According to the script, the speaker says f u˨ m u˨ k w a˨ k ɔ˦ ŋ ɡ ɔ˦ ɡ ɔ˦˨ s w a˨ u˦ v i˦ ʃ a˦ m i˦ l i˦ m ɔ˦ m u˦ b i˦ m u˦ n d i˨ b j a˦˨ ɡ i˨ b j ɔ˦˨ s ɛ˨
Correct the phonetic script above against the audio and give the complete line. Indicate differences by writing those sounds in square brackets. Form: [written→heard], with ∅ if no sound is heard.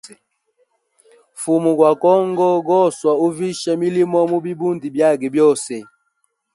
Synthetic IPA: f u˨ m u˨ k w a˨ k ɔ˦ ŋ ɡ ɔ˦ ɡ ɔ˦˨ s w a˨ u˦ v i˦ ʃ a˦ m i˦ l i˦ m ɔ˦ m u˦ b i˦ [m→b] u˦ n d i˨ b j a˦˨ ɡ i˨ b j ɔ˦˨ s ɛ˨